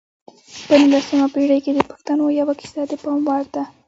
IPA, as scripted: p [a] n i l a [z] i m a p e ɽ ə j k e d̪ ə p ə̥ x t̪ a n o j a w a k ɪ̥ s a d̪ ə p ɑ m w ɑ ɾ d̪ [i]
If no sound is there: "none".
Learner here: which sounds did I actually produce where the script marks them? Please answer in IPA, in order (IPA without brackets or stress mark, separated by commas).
ə, s, a